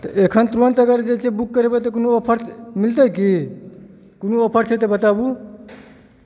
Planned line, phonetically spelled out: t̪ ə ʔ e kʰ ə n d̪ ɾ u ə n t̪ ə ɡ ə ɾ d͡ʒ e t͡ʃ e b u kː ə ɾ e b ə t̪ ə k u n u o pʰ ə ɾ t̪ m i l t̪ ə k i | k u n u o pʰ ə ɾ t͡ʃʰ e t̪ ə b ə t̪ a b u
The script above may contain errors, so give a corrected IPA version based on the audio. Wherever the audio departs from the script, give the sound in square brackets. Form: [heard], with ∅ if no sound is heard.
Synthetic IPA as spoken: t̪ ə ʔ e kʰ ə n [t̪] ɾ u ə n t̪ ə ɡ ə ɾ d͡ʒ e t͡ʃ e b u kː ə ɾ e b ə t̪ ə k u n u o pʰ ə ɾ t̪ m i l t̪ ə k i | k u n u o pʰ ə ɾ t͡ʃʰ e t̪ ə b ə t̪ a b u